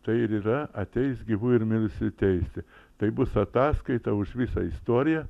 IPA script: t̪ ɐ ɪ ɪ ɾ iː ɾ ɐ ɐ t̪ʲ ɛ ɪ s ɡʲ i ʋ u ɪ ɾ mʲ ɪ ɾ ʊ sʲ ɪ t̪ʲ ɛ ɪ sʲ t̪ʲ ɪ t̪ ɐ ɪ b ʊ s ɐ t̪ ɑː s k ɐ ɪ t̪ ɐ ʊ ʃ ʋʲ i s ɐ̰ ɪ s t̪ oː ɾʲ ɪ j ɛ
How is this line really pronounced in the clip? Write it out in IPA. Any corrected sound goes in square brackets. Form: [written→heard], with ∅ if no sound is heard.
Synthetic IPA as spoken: t̪ ɐ ɪ ɪ ɾ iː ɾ ɐ ɐ t̪ʲ ɛ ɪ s ɡʲ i ʋ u ɪ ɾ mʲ ɪ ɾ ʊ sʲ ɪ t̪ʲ ɛ ɪ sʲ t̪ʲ ɪ t̪ ɐ ɪ b ʊ s ɐ t̪ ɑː s k ɐ ɪ t̪ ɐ ʊ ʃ ʋʲ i s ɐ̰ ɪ s t̪ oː ɾʲ ɪ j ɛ